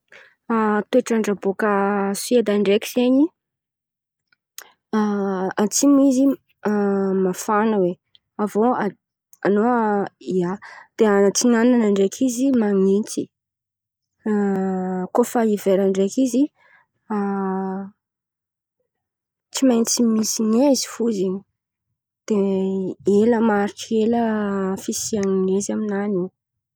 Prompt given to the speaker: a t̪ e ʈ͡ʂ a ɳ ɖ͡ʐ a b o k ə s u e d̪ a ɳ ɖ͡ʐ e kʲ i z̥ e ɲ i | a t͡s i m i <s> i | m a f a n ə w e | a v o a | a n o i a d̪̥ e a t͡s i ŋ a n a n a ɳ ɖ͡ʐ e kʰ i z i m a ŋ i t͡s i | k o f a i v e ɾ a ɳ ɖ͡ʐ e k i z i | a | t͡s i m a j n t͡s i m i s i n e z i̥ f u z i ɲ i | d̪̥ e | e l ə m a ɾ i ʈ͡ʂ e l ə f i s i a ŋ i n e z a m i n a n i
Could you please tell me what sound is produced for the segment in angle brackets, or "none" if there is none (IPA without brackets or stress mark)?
z